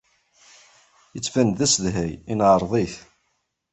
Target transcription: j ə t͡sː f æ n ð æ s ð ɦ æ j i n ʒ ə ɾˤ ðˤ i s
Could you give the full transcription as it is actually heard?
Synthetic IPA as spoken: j ə t͡sː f æ n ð æ s ð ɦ æ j i n ʕ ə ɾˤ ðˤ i θ